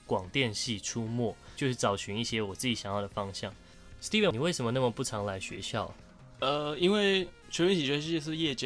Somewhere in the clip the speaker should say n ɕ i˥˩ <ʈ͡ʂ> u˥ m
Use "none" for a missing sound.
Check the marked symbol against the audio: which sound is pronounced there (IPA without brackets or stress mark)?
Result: ʈ͡ʂʰ